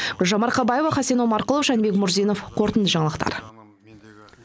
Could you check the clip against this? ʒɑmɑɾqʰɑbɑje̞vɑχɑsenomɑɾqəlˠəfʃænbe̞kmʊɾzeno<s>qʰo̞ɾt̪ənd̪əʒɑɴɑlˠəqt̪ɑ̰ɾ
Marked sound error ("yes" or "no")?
yes